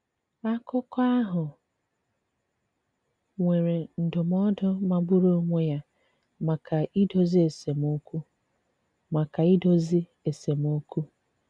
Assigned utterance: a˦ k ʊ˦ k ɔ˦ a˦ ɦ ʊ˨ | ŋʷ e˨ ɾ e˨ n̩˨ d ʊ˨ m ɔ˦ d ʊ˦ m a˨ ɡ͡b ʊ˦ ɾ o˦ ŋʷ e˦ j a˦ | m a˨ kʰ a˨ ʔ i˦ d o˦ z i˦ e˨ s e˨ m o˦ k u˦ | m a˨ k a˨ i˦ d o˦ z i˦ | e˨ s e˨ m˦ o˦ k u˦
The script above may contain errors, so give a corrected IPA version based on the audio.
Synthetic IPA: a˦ k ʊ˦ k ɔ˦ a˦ ɦ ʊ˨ | ŋʷ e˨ ɾ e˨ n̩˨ d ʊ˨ m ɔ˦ d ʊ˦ m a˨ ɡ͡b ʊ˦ ɾ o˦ ŋʷ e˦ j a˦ | m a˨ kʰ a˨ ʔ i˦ d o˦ z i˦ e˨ s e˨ m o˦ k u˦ | m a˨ k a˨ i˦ d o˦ z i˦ | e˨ s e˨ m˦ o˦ k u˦